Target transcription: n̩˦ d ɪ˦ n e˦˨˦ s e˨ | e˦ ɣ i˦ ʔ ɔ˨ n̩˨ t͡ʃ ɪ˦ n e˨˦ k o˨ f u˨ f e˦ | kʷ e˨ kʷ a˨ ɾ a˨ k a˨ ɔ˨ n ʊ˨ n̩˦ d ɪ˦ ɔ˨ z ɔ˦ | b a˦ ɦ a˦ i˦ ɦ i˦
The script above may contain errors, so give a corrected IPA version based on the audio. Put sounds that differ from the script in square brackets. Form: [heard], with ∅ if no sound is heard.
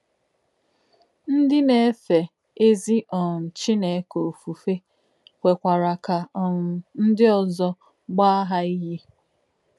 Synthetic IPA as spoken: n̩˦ d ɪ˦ n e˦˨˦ [f] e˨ | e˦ [z] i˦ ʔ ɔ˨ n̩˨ t͡ʃ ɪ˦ n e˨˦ k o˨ f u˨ f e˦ | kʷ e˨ kʷ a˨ ɾ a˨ k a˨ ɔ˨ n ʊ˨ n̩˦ d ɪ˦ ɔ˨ z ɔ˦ | [ɡ͡b] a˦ ɦ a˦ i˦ ɦ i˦